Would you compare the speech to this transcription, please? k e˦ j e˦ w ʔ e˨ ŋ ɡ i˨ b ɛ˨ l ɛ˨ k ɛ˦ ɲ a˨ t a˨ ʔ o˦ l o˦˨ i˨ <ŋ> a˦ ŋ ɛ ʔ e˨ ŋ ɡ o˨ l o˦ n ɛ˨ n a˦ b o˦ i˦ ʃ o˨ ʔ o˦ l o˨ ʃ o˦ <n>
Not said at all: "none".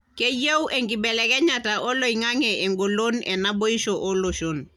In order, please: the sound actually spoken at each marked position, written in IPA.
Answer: ŋ, n

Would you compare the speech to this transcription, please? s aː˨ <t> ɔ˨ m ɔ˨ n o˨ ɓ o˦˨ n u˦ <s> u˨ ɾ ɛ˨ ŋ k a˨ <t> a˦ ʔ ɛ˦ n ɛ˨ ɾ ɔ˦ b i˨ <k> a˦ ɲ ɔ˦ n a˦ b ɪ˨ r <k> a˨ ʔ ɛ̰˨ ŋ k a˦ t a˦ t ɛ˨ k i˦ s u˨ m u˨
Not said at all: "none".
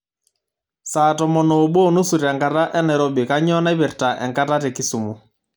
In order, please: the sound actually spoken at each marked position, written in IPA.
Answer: t, s, t, k, t

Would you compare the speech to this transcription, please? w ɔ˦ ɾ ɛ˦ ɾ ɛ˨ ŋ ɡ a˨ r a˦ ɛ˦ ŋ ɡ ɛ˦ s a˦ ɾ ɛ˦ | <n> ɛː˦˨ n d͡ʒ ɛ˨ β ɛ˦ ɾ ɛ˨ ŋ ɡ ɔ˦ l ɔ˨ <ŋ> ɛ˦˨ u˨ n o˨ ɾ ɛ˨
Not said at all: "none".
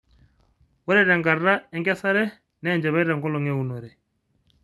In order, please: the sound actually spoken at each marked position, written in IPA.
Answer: n, ŋ

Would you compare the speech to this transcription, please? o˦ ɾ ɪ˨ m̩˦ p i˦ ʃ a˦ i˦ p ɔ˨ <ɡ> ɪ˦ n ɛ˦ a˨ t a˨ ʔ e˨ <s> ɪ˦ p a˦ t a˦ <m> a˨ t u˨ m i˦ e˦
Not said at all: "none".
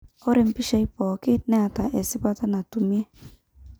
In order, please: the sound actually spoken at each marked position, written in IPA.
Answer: k, s, n

